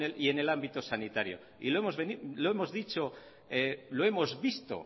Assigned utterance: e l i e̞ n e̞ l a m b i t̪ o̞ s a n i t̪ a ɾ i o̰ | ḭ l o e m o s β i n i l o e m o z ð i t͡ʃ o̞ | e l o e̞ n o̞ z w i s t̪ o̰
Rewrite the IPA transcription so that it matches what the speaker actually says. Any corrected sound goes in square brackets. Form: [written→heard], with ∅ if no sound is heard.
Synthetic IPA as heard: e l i e̞ n e̞ l a m b i t̪ o̞ s a n i t̪ a ɾ [i→j] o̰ | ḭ l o e m o [s→z] β [i→e] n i l o e m o z ð i t͡ʃ o̞ | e l o e̞ [n→m] o̞ z [w→β] i s t̪ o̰

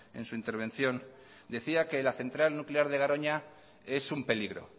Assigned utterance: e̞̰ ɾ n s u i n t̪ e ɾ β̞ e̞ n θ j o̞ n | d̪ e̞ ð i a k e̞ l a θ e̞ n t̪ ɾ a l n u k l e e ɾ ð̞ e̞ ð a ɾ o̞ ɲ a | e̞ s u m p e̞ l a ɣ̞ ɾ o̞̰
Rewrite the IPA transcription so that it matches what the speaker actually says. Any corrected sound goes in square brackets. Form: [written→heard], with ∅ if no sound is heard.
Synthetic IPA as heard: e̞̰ [ɾ→∅] n s u i n t̪ e ɾ β̞ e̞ n θ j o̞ n | d̪ e̞ [ð→θ] i a k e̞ l a θ e̞ n t̪ ɾ a l n u k l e [e→a] ɾ ð̞ e̞ [ð→ɣ] a ɾ o̞ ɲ a | e̞ s u m p e̞ l [a→i] ɣ̞ ɾ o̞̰

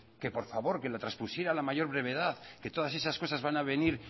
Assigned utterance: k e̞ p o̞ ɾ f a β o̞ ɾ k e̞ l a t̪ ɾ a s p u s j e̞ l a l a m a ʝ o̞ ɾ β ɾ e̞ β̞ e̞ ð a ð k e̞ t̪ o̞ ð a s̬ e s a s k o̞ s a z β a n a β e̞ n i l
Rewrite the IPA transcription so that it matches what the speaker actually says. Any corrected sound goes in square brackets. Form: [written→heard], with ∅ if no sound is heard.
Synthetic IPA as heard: k e̞ p o̞ ɾ f a β o̞ ɾ k e̞ l a t̪ ɾ a s p u s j e̞ [l→ɾ] a l a m a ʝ o̞ ɾ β ɾ e̞ β̞ e̞ ð a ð k e̞ t̪ o̞ ð a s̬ e s a s k o̞ s a z β a n a β e̞ n i [l→ɾ]

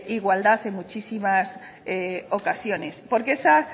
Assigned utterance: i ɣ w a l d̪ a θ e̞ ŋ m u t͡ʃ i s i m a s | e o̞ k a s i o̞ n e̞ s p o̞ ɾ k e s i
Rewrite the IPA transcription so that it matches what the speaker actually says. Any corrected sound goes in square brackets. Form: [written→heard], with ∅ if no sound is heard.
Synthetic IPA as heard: i ɣ w a l d̪ a θ e̞ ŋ m u t͡ʃ i s i m a s | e o̞ k a s [i→j] o̞ n e̞ s p o̞ ɾ k e s [i→a]

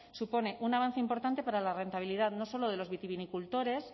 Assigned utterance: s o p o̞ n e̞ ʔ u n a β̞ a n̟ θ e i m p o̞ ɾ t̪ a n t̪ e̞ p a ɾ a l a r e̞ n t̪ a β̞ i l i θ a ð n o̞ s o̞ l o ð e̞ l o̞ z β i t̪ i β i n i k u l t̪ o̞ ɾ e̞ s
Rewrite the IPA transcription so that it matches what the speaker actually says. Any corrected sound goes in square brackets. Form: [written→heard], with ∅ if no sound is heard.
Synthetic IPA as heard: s [o→u] p o̞ n e̞ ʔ u n a β̞ a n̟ θ e i m p o̞ ɾ t̪ a n t̪ e̞ p a ɾ a l a r e̞ n t̪ a β̞ i l i [θ→ð] a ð n o̞ s o̞ l o ð e̞ l o̞ z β i t̪ i β i n i k u l t̪ o̞ ɾ e̞ s

